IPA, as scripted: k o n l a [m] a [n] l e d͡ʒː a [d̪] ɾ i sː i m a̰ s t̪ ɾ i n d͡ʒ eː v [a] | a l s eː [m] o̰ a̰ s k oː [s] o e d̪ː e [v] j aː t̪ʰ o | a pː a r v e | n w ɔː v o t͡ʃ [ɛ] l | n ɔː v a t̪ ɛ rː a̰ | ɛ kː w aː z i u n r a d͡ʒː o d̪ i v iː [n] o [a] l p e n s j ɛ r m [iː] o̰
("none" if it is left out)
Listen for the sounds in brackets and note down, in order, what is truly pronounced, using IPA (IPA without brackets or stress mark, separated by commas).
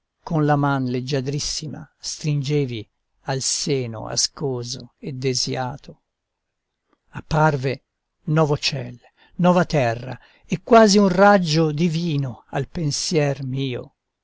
m, n, d̪, i, n, z, z, ɛ, n, a, iː